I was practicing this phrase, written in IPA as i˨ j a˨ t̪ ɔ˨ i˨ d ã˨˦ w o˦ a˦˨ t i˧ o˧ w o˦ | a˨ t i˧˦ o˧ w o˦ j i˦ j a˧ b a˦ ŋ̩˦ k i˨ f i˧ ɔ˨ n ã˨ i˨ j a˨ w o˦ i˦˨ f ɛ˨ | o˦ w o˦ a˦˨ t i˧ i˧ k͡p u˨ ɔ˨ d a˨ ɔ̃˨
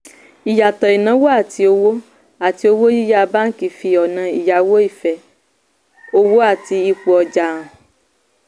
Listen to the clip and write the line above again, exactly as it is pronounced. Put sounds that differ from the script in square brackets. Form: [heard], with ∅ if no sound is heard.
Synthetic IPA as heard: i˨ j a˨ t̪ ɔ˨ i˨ [n] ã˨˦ w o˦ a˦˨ t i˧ o˧ w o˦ | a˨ t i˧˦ o˧ w o˦ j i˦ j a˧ b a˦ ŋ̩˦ k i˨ f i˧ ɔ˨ n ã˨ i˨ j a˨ w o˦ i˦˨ f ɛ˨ | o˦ w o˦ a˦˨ t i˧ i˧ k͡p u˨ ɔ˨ [d͡ʒ] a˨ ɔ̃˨

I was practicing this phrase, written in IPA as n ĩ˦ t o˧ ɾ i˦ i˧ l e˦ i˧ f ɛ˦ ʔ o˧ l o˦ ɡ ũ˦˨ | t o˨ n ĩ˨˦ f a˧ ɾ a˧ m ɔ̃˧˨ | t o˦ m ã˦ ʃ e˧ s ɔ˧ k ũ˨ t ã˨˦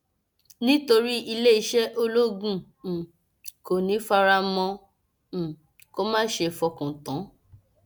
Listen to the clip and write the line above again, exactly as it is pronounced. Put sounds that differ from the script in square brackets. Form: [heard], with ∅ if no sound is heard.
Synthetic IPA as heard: n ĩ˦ t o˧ ɾ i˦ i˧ l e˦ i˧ [ʃ] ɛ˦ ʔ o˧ l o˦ ɡ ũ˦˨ | [k] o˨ n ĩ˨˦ f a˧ ɾ a˧ m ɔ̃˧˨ | [k] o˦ m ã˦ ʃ e˧ [f] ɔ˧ k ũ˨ t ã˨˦

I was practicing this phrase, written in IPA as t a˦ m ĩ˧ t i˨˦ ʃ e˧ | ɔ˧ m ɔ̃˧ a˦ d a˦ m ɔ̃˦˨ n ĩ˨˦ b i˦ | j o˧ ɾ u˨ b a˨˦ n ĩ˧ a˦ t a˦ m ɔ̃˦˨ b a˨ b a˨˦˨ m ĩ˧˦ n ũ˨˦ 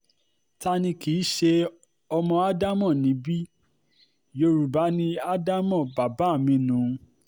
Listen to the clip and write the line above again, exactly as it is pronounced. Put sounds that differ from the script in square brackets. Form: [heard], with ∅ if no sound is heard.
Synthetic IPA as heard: t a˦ [n] ĩ˧ [k] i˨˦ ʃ e˧ | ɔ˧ m ɔ̃˧ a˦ d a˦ m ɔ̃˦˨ n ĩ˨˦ b i˦ | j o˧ ɾ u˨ b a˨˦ n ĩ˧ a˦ [d] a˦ m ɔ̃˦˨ b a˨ b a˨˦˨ m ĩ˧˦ n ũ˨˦

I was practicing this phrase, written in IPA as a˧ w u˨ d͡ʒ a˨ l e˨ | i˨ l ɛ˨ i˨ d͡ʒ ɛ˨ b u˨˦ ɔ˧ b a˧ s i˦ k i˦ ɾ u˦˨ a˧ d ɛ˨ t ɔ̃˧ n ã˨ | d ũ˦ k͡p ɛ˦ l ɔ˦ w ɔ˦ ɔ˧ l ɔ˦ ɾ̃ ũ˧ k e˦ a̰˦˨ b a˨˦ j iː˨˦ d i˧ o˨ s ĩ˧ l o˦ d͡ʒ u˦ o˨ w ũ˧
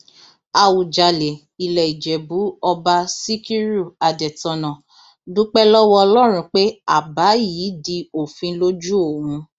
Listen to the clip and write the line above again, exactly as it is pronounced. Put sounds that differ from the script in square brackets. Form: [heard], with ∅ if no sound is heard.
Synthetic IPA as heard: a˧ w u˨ d͡ʒ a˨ l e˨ | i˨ l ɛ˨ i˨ d͡ʒ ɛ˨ b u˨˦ ɔ˧ b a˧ s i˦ k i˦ ɾ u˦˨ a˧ d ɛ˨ t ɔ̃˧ n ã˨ | d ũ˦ k͡p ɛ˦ l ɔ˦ w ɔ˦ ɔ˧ l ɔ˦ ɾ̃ ũ˧ [k͡p] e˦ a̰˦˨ b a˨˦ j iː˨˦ d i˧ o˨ [f] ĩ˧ l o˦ d͡ʒ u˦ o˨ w ũ˧

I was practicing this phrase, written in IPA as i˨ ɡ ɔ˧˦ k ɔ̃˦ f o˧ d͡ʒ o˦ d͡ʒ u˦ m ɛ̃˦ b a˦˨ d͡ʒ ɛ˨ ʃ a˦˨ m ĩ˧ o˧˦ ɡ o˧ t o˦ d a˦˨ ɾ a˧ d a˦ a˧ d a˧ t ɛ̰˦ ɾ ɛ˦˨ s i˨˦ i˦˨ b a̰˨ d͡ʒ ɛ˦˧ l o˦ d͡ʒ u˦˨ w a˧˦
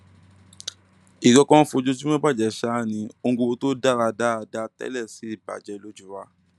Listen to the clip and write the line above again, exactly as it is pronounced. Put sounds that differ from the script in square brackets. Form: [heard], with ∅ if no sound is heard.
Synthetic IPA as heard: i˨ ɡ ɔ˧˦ k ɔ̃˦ f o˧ d͡ʒ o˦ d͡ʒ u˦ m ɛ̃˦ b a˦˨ d͡ʒ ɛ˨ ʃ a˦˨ [n] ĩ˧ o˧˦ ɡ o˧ t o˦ d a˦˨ ɾ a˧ d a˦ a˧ d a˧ t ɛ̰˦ [l] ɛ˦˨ s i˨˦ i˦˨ b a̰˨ d͡ʒ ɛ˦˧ l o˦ d͡ʒ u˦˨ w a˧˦

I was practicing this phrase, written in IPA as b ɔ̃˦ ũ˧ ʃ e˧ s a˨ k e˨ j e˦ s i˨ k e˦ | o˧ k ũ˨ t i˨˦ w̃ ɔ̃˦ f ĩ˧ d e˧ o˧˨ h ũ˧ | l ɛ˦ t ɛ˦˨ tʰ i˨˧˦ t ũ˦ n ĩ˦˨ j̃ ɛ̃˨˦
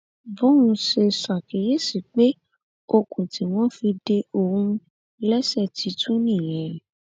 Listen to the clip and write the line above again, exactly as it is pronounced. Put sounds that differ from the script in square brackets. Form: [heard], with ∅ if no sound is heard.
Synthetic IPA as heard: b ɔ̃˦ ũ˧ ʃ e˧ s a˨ k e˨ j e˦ s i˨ [k͡p] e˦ | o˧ k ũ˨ t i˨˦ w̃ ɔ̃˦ f [i˧] d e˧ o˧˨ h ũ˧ | l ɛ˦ [s] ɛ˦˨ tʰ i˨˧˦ t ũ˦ n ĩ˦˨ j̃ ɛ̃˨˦

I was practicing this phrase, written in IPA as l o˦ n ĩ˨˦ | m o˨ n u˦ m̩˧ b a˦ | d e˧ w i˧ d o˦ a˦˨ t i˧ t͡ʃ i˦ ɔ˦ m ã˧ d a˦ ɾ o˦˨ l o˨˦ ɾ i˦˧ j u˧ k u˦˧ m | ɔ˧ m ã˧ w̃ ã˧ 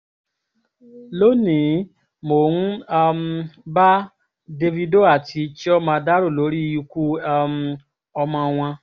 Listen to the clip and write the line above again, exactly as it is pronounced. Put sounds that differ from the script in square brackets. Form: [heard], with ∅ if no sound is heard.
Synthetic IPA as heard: l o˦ n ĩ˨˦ | m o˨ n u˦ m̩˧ b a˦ | d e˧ [v] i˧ d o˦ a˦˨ t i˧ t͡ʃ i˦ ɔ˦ m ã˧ d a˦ ɾ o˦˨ l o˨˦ ɾ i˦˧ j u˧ k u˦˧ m | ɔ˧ m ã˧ w̃ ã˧

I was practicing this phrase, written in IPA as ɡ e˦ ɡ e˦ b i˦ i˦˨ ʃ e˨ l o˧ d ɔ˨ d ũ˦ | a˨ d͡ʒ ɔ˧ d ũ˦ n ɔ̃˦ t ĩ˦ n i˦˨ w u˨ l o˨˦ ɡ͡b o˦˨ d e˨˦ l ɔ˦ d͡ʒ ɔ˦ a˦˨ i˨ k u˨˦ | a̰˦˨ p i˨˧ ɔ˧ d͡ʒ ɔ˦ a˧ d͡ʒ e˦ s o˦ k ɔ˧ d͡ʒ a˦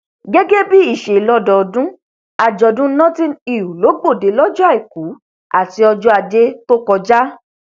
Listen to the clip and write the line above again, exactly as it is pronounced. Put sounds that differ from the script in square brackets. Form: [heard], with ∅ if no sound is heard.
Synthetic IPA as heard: ɡ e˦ ɡ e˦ b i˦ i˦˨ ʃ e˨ l [ɔ˧] d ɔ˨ d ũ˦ | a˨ d͡ʒ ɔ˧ d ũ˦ n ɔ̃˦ t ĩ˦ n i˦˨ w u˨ l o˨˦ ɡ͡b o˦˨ d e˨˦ l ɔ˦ d͡ʒ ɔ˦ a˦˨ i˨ k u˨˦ | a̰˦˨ [t] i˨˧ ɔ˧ d͡ʒ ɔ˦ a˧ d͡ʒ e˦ [t] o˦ k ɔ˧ d͡ʒ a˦

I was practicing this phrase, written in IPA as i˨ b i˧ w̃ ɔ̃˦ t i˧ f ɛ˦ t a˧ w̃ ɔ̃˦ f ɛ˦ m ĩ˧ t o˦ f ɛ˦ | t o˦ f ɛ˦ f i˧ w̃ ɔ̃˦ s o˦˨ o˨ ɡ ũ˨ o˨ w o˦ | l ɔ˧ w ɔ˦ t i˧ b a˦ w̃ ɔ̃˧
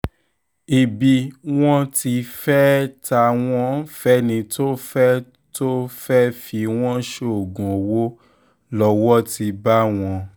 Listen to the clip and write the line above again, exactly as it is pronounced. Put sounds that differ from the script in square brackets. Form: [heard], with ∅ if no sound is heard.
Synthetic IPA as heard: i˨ b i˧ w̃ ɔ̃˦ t i˧ f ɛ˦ t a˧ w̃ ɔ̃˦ f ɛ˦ [n] ĩ˧ t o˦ f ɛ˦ | t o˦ f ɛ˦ f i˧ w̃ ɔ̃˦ [ʃ] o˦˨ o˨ ɡ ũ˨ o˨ w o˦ | l ɔ˧ w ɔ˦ t i˧ b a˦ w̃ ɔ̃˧

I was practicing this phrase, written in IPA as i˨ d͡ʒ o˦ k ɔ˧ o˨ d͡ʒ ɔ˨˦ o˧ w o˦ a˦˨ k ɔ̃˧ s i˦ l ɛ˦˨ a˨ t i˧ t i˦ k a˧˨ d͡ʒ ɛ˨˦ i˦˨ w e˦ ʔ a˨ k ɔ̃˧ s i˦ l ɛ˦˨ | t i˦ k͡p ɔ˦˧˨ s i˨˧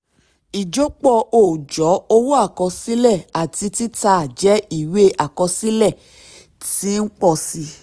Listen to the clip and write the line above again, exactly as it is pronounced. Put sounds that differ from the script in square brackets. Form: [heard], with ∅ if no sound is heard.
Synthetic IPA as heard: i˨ d͡ʒ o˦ [k͡p] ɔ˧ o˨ d͡ʒ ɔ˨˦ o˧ w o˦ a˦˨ k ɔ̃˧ s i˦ l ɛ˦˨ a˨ t i˧ t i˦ [t] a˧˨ d͡ʒ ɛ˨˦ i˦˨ w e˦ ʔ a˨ k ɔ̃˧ s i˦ l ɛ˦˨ | t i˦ k͡p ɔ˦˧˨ s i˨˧

